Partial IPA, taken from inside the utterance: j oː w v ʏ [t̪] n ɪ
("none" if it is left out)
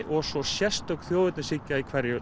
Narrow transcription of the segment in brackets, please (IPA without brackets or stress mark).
t̪